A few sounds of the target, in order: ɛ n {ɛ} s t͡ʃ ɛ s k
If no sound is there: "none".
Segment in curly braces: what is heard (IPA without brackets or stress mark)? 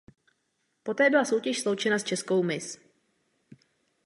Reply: a